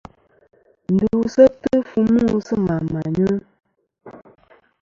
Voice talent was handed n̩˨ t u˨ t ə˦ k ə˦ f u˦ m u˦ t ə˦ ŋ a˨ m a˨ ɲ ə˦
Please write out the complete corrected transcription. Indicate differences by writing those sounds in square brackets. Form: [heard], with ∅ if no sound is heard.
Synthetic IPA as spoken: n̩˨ [d] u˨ [s] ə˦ [t] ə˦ f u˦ m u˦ [s] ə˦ [m] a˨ m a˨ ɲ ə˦